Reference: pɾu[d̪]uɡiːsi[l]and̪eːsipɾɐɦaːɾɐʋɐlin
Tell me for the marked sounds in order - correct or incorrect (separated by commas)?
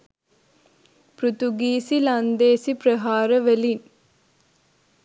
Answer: incorrect, correct